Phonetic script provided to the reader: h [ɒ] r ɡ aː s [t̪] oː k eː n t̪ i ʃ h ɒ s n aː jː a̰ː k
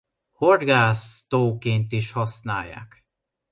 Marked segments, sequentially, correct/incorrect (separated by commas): incorrect, correct